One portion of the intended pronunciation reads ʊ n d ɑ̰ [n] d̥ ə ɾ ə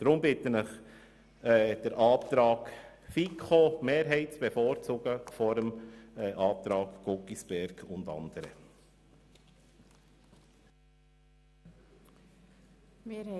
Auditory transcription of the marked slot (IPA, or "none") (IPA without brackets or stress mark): n